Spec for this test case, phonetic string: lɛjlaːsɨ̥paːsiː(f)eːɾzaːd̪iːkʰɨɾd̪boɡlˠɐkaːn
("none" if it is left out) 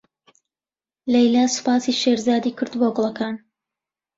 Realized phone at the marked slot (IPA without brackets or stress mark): ʃ